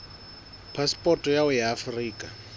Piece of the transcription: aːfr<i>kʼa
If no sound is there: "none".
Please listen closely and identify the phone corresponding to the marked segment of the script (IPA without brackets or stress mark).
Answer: iː